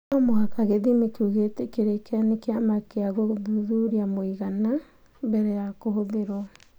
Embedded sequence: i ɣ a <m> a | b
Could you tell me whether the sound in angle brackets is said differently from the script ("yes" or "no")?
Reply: yes